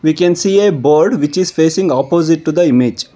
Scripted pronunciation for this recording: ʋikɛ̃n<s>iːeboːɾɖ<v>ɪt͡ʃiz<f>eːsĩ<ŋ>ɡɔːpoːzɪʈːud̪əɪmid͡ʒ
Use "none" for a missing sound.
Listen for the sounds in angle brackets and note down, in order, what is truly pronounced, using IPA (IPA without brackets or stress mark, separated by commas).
s, ʋ, f, ŋ